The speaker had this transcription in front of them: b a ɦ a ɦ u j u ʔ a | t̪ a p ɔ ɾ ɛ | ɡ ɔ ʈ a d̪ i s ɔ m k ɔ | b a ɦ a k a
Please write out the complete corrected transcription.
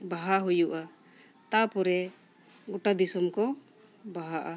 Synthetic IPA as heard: b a ɦ a ɦ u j u ʔ a | t̪ a p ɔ ɾ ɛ | ɡ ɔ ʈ a d̪ i s ɔ m k ɔ | b a ɦ a ʔ a